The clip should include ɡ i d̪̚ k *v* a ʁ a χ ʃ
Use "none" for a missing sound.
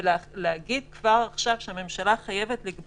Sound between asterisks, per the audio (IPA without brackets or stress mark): v